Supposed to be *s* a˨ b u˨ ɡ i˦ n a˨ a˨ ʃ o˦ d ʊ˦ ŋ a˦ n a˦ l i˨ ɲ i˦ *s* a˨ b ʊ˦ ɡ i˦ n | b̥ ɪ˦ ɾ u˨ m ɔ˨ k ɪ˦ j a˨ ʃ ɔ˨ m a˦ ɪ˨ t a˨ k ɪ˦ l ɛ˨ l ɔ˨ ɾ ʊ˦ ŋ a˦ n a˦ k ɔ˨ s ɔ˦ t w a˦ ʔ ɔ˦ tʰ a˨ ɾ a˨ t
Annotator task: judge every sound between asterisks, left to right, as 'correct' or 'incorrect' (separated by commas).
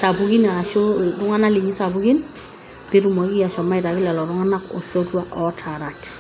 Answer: correct, correct